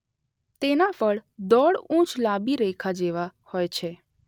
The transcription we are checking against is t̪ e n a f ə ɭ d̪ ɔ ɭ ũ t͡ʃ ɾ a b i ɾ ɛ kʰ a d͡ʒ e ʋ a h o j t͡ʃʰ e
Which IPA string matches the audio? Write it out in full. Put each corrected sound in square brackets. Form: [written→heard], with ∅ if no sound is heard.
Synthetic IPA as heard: t̪ e n a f ə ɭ d̪ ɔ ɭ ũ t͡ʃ [ɾ→l] a b i ɾ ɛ kʰ a d͡ʒ e ʋ a h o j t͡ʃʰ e

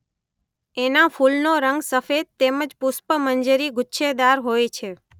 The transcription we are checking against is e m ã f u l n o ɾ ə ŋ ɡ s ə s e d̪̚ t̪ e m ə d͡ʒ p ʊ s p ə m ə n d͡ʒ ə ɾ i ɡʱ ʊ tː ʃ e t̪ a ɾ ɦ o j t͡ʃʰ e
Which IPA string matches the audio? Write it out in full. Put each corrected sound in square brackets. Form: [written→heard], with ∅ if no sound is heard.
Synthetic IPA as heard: e [m→n] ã f u l n o ɾ ə ŋ ɡ s ə [s→f] e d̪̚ t̪ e m ə d͡ʒ p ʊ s p ə m ə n d͡ʒ ə ɾ i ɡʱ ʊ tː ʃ e [t̪→d̪] a ɾ ɦ o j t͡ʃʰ e

